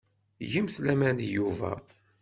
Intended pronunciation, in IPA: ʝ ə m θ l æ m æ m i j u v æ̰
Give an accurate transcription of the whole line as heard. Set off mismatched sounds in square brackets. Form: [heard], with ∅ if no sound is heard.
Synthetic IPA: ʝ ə m θ l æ m æ [n] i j u v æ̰

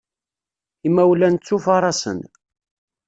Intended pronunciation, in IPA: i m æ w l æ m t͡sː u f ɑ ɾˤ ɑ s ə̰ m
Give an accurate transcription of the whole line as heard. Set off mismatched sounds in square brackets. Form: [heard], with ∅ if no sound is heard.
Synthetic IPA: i m æ w l æ [n] t͡sː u f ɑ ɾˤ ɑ s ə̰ [n]

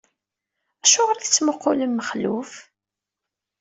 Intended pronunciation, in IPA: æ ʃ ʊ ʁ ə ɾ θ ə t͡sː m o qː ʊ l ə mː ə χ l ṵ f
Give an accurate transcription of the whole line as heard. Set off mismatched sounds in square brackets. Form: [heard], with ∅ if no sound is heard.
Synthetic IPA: æ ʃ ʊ ʁ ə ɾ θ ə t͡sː m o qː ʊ l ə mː ə χ l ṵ f

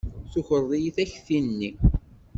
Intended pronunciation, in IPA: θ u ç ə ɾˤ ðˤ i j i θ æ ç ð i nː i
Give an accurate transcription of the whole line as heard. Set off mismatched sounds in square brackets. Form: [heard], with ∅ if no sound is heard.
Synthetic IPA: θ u ç ə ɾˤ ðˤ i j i θ æ ç [θ] i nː i

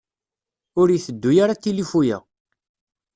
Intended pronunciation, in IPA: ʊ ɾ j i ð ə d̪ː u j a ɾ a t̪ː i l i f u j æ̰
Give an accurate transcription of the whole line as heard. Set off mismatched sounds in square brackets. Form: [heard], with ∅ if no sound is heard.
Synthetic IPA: ʊ ɾ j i [θ] ə d̪ː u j a ɾ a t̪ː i l i f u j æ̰

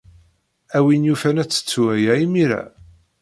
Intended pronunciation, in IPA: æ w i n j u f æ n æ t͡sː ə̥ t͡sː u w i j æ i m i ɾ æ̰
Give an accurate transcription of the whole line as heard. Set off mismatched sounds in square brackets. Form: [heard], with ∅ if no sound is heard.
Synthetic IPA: æ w i n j u f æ n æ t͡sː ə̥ t͡sː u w [æ] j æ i m i ɾ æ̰

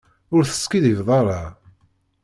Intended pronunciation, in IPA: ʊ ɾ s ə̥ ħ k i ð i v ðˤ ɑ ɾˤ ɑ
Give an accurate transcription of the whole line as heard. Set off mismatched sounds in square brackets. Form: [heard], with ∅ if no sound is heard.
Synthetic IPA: ʊ ɾ [θ] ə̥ [s] k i ð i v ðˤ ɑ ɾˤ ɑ

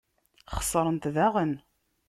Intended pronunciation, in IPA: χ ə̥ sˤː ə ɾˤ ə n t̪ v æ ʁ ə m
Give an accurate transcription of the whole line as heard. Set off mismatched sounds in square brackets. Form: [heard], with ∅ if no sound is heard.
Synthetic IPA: χ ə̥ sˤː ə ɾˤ ə n t̪ [ð] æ ʁ ə [n]

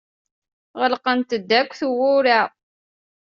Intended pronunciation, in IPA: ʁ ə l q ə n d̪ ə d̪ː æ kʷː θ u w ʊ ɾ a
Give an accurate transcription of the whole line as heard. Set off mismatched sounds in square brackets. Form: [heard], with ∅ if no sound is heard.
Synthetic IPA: ʁ ə l q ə n [t̪] ə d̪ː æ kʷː θ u w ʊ ɾ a

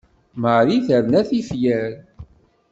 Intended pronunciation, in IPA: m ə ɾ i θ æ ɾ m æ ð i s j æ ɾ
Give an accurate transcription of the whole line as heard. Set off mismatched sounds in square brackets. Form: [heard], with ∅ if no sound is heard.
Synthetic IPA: m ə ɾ i θ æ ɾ [n] æ [θ] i [f] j æ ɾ

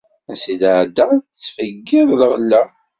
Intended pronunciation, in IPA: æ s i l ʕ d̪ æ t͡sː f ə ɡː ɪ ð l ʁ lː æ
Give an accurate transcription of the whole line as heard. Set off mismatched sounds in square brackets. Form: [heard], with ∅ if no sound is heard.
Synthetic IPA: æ s i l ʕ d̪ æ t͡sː f ə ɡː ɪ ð l ʁ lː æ

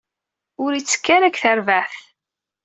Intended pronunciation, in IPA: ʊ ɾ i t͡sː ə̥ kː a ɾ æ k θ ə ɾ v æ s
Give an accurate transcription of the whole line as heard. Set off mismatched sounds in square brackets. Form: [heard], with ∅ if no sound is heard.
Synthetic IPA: ʊ ɾ i t͡sː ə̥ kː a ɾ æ k θ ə ɾ v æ [θ]

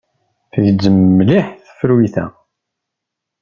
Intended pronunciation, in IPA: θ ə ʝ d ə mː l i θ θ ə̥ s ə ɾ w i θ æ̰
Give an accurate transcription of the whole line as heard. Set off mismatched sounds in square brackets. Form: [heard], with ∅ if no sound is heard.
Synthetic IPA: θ ə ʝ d ə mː l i [ħ] θ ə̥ [f] ə ɾ w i θ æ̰

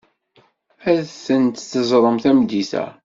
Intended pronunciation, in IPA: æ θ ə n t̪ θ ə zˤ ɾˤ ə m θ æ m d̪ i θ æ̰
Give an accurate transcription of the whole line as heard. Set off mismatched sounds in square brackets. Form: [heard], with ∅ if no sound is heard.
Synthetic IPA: æ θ ə n t̪ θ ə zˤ ɾˤ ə m θ æ m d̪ i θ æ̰

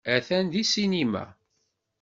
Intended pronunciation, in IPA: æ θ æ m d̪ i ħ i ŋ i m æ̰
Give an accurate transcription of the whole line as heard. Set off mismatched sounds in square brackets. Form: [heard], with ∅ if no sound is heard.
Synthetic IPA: æ θ æ [n] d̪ i [s] i [n] i m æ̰

